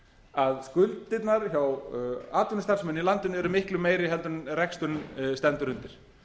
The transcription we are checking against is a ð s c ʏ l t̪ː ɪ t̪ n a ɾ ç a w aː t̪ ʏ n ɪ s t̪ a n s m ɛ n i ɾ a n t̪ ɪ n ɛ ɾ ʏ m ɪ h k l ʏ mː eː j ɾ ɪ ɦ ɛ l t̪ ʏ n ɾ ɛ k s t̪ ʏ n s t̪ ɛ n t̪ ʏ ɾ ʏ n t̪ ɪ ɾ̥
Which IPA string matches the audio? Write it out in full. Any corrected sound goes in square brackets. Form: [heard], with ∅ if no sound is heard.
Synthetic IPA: a ð s [k] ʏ l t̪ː ɪ t̪ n a ɾ ç a w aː t̪ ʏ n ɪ s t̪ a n s m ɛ n i [l] a n t̪ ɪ n ɛ ɾ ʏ m ɪ h k l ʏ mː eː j ɾ ɪ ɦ ɛ l t̪ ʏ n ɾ ɛ k s t̪ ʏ n s t̪ ɛ n t̪ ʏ ɾ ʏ n t̪ ɪ ɾ̥